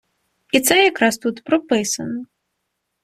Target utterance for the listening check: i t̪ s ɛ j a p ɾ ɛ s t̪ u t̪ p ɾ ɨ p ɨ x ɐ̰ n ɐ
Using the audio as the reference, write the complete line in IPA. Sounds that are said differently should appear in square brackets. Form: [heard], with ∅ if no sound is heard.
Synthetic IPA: i t̪ s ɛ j a [k] ɾ [a] s t̪ u t̪ p ɾ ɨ p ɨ [s] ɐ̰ n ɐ